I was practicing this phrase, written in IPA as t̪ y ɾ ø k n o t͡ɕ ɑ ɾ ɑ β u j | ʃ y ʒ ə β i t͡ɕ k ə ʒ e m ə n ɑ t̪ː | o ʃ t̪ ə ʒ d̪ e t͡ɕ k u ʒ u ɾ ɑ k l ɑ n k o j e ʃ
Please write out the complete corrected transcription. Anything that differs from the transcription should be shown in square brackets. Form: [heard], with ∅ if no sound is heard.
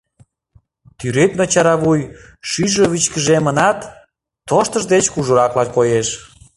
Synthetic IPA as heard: t̪ y ɾ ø k n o t͡ɕ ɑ ɾ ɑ β u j | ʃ y ʒ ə β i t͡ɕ k ə ʒ e m ə n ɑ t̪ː | o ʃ t̪ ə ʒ d̪ e t͡ɕ k u ʒ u ɾ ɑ k l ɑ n k o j e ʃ

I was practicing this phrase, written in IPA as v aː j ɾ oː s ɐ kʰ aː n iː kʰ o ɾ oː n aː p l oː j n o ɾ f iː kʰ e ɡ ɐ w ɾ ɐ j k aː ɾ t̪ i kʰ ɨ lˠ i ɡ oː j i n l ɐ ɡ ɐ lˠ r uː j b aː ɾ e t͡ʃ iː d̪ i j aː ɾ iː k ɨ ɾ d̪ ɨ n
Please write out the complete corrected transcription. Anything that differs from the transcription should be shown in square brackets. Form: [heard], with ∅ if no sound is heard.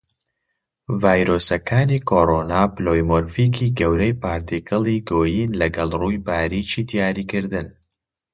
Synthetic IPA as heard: v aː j ɾ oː s ɐ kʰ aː n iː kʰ o ɾ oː n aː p l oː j [m] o ɾ f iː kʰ [i] ɡ ɐ w ɾ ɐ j [p] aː ɾ t̪ i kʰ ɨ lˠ i ɡ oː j i n l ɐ ɡ ɐ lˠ r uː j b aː ɾ [i] t͡ʃ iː d̪ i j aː ɾ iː k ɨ ɾ d̪ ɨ n

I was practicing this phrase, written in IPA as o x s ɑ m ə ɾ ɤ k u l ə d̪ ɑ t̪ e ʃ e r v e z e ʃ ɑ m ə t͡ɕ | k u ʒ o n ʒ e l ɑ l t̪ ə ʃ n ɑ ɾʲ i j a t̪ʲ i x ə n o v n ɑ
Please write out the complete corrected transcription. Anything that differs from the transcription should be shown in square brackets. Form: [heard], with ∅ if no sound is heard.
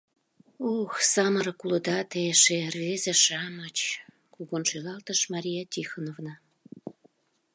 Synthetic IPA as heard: o x s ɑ m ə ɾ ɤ k u l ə d̪ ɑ t̪ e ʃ e r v e z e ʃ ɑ m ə t͡ɕ | k u [ɣ] o n [ʃ] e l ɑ l t̪ ə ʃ [m] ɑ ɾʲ i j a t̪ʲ i x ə n o v n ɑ

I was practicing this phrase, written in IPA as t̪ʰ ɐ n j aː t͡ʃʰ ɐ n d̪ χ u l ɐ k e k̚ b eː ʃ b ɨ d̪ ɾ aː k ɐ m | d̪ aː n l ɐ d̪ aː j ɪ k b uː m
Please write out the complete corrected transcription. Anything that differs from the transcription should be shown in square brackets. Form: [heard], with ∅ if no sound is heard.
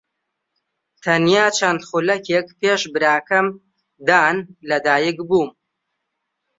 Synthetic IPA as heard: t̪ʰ ɐ n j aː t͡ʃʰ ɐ n d̪ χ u l ɐ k e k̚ [p] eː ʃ b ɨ [∅] ɾ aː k ɐ m | d̪ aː n l ɐ d̪ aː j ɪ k b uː m

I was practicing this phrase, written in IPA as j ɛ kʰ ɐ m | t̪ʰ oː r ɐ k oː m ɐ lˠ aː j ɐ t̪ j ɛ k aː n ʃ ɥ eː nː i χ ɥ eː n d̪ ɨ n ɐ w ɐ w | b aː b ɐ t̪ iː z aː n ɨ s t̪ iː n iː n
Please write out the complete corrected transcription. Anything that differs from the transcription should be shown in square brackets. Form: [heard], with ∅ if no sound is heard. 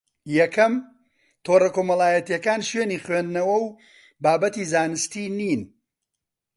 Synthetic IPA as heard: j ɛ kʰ ɐ m | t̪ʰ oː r ɐ k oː m ɐ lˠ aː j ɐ t̪ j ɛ k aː n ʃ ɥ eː [n] i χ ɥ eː n d̪ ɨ n ɐ w ɐ w | b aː b ɐ t̪ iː z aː n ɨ s t̪ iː n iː n

